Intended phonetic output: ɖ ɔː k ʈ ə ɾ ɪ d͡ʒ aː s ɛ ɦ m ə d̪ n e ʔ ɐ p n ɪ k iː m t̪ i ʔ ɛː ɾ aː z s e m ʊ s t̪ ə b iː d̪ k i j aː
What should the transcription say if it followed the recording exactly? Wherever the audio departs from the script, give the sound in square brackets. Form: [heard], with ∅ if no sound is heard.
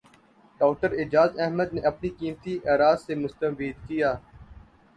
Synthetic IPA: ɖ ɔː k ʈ ə ɾ ɪ d͡ʒ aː [z] ɛ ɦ m ə d̪ n e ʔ ɐ p n [i] k iː m t̪ i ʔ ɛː ɾ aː z s e m ʊ s t̪ ə b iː d̪ k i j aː

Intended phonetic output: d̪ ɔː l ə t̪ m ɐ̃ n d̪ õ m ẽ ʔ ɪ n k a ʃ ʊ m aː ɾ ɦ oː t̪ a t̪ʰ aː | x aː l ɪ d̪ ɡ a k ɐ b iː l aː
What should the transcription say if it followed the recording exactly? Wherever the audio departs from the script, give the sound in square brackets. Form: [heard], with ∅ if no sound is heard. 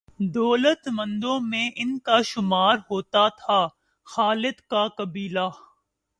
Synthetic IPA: d̪ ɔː l ə t̪ m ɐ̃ n d̪ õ m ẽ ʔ ɪ n k a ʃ ʊ m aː ɾ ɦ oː t̪ a t̪ʰ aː | x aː l ɪ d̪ [k] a k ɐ b iː l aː

